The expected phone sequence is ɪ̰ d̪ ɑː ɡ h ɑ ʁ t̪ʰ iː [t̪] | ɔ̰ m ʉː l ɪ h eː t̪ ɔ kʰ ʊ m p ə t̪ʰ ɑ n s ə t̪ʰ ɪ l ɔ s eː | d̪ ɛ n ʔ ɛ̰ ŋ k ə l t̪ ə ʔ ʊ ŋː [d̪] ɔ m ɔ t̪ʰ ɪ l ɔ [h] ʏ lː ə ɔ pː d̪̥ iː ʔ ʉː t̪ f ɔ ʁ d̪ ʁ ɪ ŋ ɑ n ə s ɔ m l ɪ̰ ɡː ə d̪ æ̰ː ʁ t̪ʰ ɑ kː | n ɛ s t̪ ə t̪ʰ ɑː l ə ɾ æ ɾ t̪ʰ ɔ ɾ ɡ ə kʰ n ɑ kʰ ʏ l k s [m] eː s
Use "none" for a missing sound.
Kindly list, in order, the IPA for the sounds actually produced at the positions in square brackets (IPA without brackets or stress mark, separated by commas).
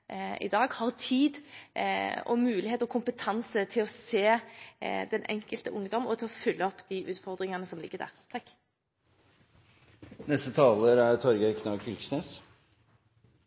d̪, d̪, f, n